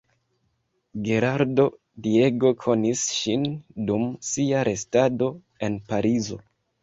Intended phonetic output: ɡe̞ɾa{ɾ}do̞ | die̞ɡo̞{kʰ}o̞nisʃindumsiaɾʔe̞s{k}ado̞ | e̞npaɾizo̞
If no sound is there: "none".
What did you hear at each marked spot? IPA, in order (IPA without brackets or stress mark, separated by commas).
ɾ, kʰ, t